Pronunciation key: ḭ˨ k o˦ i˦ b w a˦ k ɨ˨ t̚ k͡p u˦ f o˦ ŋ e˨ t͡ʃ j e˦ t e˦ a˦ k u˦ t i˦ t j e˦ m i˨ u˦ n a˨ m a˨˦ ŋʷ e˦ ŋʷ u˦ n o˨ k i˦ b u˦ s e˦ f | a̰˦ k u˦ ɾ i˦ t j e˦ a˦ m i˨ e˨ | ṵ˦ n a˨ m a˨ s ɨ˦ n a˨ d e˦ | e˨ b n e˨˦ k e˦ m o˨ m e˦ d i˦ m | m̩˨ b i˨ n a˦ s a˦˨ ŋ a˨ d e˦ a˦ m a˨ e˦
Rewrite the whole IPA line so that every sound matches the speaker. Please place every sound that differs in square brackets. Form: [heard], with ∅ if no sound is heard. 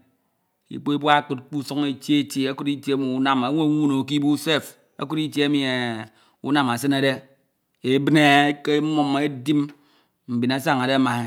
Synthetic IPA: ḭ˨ [k͡p] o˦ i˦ b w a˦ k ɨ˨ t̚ k͡p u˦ [s] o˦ ŋ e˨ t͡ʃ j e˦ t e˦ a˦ k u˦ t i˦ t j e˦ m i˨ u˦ n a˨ m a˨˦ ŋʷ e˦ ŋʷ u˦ n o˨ k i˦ b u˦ s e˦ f | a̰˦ k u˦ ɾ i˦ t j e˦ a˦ m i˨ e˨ | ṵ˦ n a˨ m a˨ s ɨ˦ n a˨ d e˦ | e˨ b n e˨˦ k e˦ m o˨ m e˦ d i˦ m | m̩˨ b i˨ n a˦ s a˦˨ ŋ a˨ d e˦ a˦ m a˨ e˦